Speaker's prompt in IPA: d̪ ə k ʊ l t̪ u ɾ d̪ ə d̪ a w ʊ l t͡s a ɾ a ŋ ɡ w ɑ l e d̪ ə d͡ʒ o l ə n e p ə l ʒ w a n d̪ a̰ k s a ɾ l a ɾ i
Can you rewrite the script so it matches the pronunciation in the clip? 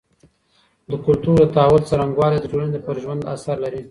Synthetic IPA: d̪ ə k ʊ l t̪ u ɾ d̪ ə t̪ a w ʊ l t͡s a ɾ a ŋ ɡ w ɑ l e d̪ ə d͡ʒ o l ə n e p ə ɾ ʒ w a n d̪ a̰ s a ɾ l a ɾ i